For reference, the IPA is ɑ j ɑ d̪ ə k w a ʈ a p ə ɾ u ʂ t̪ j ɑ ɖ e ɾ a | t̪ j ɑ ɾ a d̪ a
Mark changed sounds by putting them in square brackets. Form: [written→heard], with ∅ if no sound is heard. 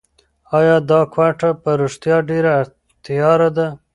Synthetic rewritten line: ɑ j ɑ d̪ [ə→ɑ] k w a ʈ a p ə ɾ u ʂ t̪ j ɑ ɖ e ɾ a | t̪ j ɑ ɾ a d̪ a